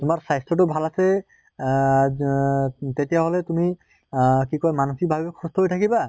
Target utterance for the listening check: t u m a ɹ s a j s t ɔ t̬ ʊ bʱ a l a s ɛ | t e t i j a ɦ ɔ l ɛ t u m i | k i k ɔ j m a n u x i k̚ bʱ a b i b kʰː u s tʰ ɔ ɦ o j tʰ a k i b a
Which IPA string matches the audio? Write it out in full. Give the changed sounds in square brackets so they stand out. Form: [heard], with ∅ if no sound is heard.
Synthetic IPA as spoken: t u m a ɹ s a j s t ɔ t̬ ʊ bʱ a l a s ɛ | t e t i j a ɦ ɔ l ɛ t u m i | k i k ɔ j m a n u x i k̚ bʱ a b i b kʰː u s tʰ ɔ ɦ o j tʰ a k i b a